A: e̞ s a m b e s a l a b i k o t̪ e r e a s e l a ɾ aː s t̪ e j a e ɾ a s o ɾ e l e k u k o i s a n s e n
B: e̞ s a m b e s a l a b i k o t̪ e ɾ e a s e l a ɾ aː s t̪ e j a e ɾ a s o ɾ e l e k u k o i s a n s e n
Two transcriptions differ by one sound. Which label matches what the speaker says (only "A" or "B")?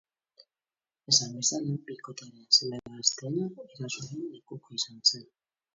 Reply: B